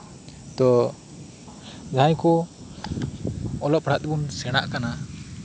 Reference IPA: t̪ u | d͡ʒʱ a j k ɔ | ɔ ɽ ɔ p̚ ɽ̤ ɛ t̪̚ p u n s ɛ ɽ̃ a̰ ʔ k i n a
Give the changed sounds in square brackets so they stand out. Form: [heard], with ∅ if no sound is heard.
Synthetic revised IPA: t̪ [ɔ] | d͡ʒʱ a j k ɔ | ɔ [l] ɔ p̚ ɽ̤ [a] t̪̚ [b] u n s ɛ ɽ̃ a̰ ʔ k [a] n a